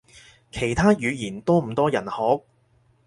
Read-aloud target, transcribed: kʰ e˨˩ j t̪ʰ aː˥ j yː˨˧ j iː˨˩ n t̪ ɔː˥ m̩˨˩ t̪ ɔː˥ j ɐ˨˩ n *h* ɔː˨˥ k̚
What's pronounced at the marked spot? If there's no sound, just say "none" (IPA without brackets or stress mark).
h